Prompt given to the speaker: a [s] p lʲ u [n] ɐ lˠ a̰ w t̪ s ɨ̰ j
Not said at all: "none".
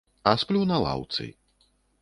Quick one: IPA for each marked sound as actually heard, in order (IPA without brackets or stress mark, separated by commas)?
s, n